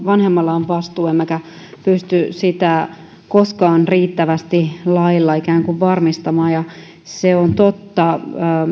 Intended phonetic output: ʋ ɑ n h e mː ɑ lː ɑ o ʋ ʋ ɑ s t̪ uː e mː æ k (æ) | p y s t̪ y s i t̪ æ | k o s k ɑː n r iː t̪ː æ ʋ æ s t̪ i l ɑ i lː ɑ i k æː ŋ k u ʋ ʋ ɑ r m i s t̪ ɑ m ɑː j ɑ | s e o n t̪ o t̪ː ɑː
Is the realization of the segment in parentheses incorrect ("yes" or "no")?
no